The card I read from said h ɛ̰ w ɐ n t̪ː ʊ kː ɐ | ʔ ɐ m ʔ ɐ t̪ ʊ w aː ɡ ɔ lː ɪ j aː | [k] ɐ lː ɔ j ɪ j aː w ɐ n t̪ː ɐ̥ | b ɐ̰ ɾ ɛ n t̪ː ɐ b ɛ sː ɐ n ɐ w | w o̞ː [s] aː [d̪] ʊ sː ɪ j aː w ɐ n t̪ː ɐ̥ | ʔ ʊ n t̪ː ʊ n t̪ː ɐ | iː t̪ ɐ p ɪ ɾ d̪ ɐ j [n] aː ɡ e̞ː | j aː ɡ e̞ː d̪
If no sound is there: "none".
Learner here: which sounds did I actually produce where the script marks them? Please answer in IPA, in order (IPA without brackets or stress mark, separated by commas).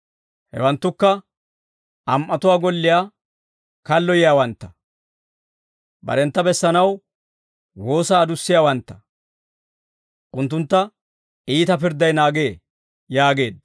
k, s, d̪, n